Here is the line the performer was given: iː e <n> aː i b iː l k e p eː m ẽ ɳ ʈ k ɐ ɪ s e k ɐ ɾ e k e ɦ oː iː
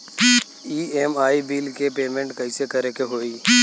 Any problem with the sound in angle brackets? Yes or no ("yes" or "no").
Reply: yes